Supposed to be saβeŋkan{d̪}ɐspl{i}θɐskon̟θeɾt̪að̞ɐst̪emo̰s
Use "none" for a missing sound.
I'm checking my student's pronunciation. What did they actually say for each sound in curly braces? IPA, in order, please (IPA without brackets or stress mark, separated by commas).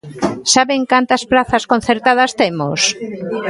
t̪, a